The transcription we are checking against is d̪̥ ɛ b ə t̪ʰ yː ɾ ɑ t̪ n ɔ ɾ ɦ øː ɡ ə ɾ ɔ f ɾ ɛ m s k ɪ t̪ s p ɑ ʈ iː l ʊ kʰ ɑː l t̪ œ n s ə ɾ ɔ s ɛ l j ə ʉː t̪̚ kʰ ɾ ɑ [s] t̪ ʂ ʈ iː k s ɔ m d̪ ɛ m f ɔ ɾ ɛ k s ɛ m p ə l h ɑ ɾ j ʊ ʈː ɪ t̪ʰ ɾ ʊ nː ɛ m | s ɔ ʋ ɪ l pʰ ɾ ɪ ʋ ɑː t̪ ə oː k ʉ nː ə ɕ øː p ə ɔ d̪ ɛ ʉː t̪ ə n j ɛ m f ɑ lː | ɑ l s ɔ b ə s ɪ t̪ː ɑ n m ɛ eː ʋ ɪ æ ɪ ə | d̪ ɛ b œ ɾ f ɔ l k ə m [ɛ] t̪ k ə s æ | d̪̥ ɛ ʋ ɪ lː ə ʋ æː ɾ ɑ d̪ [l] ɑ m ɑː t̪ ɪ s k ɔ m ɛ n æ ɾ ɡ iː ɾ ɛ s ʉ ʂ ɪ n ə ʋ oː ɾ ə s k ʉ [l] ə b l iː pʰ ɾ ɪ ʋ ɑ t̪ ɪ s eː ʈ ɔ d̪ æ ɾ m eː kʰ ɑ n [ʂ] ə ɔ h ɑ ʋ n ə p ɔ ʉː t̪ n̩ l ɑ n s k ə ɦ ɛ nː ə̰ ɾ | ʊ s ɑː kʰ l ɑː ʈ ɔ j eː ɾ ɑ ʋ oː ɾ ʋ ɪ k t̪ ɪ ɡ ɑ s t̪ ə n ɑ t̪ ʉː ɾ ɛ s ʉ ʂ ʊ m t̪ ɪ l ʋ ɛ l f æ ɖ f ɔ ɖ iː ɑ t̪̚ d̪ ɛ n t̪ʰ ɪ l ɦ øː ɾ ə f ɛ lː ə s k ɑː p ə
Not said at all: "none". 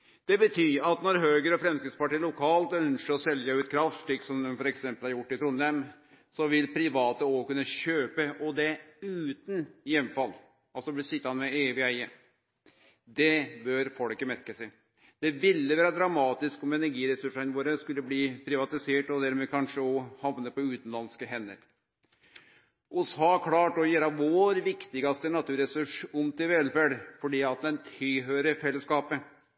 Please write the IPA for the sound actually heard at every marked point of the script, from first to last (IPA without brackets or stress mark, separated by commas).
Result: f, ɛ, ɾ, lː, ʂ